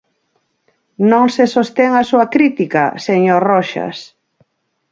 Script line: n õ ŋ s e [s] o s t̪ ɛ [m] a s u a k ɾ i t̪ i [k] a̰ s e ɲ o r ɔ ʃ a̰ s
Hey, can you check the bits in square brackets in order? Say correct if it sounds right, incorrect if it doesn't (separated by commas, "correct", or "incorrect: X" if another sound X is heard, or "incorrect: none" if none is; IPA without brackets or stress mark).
correct, incorrect: ŋ, correct